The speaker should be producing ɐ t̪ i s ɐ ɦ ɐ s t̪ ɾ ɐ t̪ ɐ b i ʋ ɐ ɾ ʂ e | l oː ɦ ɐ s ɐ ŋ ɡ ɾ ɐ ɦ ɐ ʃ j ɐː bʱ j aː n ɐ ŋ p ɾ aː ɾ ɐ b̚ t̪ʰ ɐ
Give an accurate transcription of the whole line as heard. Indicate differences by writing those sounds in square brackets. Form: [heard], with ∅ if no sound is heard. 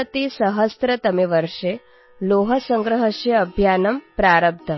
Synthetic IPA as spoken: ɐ t̪ i s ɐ ɦ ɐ s t̪ ɾ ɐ t̪ ɐ [m] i ʋ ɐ ɾ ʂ e | l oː ɦ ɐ s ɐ ŋ ɡ ɾ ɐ ɦ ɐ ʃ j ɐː bʱ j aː n ɐ [m] p ɾ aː ɾ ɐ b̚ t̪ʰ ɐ